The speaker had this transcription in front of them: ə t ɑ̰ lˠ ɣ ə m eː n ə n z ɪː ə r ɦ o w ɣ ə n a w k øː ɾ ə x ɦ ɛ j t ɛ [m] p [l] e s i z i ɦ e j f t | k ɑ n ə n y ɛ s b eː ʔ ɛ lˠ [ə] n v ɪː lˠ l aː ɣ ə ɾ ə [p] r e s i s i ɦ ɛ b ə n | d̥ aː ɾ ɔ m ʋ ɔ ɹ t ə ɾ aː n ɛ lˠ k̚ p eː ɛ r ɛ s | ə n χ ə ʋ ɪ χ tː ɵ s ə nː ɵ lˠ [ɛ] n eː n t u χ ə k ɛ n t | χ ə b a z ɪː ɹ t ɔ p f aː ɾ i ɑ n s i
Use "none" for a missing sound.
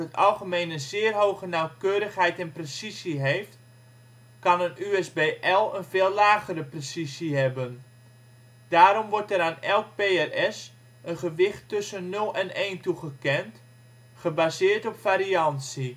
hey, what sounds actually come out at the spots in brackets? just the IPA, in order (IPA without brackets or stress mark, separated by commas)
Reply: n, r, ə, p, ɛ